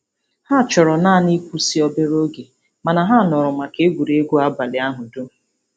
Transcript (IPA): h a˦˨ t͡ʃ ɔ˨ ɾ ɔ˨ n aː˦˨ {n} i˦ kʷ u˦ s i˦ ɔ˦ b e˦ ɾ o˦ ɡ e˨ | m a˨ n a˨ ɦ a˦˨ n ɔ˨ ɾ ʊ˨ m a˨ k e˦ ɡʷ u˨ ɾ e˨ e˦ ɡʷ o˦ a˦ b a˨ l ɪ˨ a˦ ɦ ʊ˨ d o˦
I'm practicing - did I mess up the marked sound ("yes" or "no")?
no